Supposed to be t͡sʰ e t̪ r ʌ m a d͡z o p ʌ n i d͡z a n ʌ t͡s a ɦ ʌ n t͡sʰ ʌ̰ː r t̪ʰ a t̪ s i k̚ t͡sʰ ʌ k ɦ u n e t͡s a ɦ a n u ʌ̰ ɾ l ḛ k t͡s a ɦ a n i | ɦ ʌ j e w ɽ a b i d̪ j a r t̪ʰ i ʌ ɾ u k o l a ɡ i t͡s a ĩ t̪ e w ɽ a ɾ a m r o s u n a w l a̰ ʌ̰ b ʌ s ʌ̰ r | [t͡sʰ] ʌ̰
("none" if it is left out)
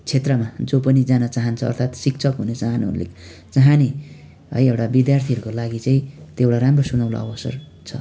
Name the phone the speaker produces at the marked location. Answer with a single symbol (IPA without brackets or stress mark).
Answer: t͡sʰ